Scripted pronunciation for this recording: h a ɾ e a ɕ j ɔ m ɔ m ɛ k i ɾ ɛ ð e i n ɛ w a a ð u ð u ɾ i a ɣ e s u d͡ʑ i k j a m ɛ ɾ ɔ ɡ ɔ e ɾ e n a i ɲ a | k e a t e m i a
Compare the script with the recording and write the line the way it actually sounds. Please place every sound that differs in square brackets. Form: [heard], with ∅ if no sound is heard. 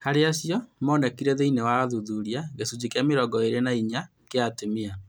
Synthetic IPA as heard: h a ɾ e a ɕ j ɔ m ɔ [n] ɛ k i ɾ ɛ ð e i n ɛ w a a ð u ð u ɾ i a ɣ e s u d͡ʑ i k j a m [e] ɾ ɔ ɡ ɔ e ɾ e n a i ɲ a | k e a t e m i a

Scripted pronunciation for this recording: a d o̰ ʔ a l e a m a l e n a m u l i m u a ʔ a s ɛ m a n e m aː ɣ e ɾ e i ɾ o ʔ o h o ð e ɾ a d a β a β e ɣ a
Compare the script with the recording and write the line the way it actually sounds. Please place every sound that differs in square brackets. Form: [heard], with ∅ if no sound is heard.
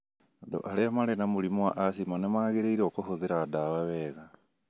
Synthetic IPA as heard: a d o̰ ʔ a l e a m a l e n a m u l i m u a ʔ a s [i] m a n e m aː ɣ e ɾ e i ɾ o [k] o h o ð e ɾ a d a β a β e ɣ a

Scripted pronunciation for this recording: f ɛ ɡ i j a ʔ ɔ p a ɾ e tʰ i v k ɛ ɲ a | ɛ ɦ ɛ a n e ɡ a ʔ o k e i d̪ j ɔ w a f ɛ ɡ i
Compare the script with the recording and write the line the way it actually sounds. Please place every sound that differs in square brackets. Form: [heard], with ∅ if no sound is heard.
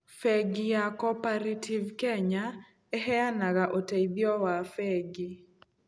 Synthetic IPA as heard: f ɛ ɡ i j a [k] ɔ p a ɾ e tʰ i v k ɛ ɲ a | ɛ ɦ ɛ a n [a] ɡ a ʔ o [t] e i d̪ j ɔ w a f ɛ ɡ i

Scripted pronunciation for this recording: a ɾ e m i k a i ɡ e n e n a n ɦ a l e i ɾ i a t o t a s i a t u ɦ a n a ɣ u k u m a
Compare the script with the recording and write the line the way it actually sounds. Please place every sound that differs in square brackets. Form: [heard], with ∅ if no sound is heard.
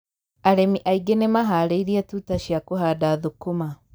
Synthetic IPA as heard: a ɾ e m i [ʔ] a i ɡ e n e [m] a [∅] ɦ a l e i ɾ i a t [u] t a [ʃ] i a [k] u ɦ a [d] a [ð] u k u m a

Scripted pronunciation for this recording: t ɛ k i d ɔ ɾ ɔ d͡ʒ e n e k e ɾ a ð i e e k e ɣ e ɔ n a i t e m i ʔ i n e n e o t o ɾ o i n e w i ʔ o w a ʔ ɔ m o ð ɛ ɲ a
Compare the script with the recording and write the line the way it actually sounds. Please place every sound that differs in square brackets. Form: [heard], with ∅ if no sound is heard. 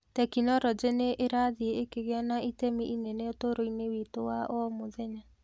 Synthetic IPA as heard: t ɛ k i [n] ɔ ɾ ɔ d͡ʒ e n e [ʔ] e ɾ a ð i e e k e ɣ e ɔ n a i t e m i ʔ i n e n e o t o ɾ o i n e w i [t] o w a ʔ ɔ m o ð ɛ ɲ a

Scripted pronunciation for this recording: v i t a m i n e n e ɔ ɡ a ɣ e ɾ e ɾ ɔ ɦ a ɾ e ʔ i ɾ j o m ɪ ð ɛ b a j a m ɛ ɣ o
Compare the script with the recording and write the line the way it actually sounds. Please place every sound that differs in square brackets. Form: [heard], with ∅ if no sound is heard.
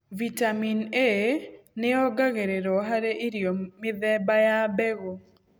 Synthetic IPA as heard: v i t a m i n e n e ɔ ɡ a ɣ e ɾ e ɾ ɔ ɦ a ɾ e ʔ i ɾ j o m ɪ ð ɛ b a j a [b] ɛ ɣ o

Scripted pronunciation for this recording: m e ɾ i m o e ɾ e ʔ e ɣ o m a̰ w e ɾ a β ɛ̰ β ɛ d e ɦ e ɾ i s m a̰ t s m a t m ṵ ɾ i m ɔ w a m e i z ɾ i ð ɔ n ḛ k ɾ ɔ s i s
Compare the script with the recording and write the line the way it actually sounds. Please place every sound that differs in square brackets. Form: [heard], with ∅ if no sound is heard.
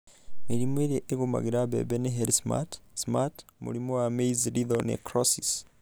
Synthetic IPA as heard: m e ɾ i m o e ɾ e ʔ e ɣ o m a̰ [ɣ] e ɾ a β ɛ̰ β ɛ [n] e ɦ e ɾ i s m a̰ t s m a t m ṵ ɾ i m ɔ w a m e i z ɾ i ð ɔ n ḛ k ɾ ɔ s i s

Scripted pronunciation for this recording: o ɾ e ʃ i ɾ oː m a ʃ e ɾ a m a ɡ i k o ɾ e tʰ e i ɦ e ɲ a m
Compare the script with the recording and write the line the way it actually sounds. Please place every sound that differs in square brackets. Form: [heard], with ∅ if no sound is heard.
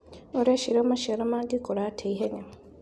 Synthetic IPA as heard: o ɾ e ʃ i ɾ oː m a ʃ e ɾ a m a ɡ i k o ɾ [a] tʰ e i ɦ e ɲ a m

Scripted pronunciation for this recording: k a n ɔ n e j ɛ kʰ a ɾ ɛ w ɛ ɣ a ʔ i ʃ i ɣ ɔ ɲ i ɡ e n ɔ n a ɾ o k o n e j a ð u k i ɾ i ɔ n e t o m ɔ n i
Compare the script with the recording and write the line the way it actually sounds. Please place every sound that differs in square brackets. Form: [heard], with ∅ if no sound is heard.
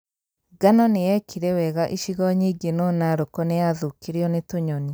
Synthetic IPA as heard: [ɡ] a n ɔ n e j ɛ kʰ [i] ɾ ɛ w ɛ ɣ a ʔ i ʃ i ɣ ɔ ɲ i ɡ e n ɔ n a ɾ o k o n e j a ð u k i ɾ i ɔ n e t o [ɲ] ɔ n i

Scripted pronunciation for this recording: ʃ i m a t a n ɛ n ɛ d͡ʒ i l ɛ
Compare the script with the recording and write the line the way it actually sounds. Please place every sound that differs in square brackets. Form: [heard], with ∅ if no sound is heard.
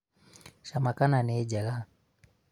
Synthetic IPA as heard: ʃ [a] m a [k] a n [a] n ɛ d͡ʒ [a] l [a]

